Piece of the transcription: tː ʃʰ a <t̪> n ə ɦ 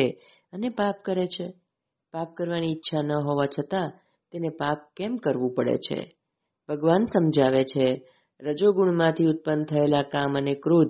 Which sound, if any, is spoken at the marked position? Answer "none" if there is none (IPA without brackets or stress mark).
none